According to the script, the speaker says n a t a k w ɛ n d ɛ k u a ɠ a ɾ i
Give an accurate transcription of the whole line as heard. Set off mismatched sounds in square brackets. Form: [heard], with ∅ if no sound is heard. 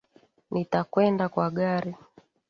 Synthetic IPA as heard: n [i] t a k w ɛ n d [a] k [w] a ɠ a ɾ i